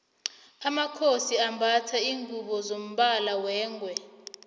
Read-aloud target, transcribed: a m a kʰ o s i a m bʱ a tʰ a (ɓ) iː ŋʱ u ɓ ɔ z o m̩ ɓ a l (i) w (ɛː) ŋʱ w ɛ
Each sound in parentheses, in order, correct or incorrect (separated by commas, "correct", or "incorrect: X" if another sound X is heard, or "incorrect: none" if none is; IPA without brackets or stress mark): incorrect: none, incorrect: a, correct